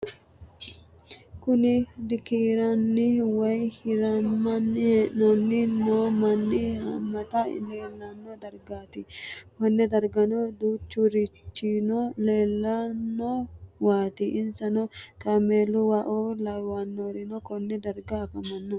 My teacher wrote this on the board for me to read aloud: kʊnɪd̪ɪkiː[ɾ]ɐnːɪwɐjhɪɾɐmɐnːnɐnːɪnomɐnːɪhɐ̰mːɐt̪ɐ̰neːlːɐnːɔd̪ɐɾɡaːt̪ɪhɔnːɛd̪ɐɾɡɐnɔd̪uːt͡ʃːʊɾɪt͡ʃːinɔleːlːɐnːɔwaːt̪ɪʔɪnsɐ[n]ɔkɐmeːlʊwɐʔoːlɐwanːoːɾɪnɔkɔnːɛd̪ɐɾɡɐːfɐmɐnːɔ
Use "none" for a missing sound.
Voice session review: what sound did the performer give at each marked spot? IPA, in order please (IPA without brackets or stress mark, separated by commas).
ɾ, n